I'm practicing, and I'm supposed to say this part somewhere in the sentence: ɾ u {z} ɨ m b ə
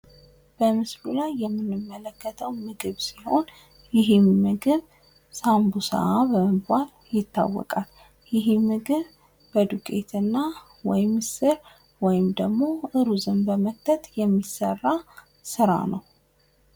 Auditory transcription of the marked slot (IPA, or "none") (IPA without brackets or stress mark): z